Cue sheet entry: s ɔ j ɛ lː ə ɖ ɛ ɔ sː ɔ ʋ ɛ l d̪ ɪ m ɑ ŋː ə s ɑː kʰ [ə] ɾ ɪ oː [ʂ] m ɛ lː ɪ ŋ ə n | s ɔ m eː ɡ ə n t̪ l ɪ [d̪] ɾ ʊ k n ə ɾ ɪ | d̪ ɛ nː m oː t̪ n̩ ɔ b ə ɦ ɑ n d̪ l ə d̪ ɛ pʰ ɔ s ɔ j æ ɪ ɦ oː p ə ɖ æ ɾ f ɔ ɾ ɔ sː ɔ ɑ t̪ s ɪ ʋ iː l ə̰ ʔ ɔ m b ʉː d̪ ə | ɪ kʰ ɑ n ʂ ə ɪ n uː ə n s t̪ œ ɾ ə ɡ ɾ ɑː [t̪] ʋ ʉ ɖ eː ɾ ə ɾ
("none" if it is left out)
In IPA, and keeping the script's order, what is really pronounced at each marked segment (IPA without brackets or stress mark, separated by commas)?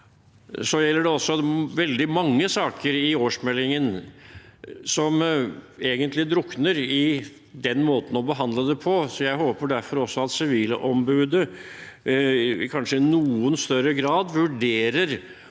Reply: ə, ʂ, d̪, d̪